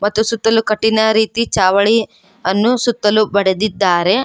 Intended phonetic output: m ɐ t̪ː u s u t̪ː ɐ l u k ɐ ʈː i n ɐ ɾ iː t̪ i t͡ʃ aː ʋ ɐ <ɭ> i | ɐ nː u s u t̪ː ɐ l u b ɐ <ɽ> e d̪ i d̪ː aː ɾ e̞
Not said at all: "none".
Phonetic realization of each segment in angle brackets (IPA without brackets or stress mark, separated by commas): ɭ, ɽ